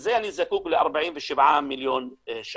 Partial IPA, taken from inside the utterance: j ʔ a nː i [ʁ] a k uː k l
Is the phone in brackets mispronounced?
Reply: yes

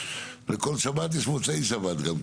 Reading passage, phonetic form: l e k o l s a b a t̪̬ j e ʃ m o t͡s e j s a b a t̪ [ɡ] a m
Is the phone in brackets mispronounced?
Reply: no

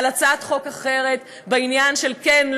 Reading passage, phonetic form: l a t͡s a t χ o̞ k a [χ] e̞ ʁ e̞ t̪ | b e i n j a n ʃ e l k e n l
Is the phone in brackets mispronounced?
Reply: no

